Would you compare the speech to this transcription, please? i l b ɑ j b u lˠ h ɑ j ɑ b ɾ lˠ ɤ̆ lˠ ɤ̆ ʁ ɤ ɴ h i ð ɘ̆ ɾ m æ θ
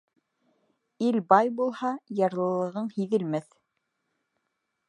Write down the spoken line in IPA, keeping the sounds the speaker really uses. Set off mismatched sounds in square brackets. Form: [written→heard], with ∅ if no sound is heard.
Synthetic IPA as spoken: i l b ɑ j b u lˠ h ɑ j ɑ [b→∅] ɾ lˠ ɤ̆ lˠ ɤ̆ ʁ ɤ ɴ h i ð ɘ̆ [ɾ→l] m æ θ